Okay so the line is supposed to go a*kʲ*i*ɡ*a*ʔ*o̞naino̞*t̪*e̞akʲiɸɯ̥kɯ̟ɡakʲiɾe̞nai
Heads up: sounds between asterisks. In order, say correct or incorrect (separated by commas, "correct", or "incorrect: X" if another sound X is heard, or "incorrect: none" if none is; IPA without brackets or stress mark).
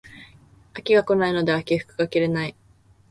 correct, correct, incorrect: k, incorrect: d̪